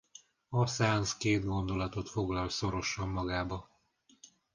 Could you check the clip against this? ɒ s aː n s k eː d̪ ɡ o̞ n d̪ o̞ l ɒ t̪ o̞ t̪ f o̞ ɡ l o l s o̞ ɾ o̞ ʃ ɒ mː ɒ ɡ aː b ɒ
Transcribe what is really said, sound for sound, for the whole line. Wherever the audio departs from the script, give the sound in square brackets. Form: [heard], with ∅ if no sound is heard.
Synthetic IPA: ɒ s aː n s k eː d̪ ɡ o̞ n d̪ o̞ l ɒ t̪ o̞ t̪ f o̞ ɡ l [ɒ] l s o̞ ɾ o̞ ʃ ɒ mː ɒ ɡ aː b ɒ